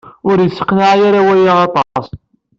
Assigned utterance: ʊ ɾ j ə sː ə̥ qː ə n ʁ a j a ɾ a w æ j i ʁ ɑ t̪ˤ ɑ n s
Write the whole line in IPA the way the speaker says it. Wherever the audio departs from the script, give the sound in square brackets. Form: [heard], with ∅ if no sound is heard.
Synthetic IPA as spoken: ʊ ɾ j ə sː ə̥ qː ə n [ʕ] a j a ɾ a w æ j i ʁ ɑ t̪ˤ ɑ [∅] s